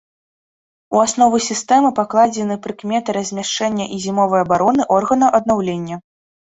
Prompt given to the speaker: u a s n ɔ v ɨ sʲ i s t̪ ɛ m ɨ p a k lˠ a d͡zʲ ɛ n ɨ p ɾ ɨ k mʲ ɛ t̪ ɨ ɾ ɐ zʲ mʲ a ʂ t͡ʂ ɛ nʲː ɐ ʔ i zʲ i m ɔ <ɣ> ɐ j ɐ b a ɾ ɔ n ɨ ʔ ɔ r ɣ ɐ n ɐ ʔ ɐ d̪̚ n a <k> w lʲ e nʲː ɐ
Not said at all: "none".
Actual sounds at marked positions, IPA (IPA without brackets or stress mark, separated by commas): v, none